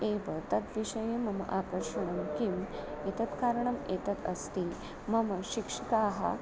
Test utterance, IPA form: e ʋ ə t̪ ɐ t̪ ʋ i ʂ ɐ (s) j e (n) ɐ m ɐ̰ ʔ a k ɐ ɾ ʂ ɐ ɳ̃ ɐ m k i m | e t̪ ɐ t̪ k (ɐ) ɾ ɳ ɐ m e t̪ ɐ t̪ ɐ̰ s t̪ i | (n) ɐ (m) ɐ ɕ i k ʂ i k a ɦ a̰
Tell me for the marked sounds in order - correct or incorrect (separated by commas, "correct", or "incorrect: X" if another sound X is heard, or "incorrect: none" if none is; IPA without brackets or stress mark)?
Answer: incorrect: none, incorrect: m, incorrect: a, incorrect: m, correct